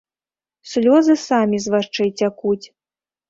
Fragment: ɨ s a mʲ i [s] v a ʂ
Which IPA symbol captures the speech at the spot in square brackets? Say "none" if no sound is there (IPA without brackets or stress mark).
z